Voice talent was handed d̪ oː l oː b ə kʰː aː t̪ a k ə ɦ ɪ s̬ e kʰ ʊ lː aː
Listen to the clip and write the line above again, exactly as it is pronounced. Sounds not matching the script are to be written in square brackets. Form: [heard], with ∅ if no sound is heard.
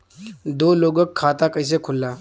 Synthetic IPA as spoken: d̪ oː l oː [ɡ] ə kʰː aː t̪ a k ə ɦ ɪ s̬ e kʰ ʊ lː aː